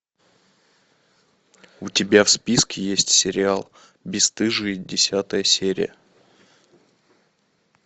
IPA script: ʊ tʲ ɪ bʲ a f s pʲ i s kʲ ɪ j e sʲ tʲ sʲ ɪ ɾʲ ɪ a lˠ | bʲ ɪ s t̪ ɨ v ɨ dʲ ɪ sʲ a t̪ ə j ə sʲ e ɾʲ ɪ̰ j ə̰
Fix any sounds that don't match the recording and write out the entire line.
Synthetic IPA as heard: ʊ tʲ ɪ bʲ a f s pʲ i s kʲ ɪ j e sʲ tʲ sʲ ɪ ɾʲ ɪ a lˠ | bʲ ɪ s t̪ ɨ ʐ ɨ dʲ ɪ sʲ a t̪ ə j ə sʲ e ɾʲ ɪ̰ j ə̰